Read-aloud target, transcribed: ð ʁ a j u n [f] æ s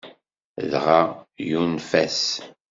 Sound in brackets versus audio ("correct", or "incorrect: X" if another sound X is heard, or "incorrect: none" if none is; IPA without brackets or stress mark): correct